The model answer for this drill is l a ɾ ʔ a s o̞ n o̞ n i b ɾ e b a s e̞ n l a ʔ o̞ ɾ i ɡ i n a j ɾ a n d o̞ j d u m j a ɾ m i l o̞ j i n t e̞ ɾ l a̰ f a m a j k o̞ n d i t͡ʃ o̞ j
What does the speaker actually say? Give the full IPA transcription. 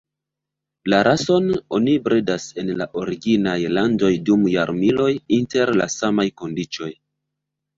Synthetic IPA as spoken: l a ɾ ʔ a s o̞ n o̞ n i b ɾ e d a s e̞ n l a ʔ o̞ ɾ i ɡ i n a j l a n d o̞ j d u m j a ɾ m i l o̞ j i n t e̞ ɾ l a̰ s a m a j k o̞ n d i t͡ʃ o̞ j